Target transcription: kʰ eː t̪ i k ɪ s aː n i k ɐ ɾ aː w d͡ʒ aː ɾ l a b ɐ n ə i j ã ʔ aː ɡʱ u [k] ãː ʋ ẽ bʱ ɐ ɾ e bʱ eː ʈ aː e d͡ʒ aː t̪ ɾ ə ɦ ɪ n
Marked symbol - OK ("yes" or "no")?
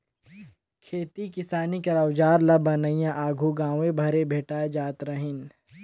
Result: no